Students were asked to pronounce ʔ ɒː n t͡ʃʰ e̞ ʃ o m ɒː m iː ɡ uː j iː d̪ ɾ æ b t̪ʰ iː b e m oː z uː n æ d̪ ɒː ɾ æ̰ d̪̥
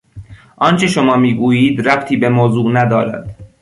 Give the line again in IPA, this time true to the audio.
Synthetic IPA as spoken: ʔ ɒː n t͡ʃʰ e̞ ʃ o m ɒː m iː ɡ uː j iː d̪ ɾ æ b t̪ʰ iː b e m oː z uː n æ d̪ ɒː ɾ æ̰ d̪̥